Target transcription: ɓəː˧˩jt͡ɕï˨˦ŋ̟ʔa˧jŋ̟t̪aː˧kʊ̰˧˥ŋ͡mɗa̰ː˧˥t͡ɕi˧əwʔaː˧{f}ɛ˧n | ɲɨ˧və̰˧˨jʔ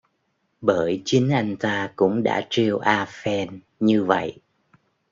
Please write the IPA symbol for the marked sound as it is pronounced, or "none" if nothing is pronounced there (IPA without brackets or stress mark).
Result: f